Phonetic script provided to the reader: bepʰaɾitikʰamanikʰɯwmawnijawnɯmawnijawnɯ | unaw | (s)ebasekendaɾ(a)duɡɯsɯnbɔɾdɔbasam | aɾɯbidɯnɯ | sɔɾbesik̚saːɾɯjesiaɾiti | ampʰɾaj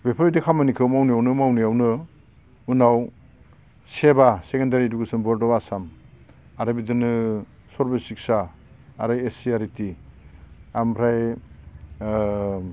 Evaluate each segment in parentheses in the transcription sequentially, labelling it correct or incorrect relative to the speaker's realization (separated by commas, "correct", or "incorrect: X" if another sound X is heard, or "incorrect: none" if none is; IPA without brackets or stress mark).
correct, incorrect: i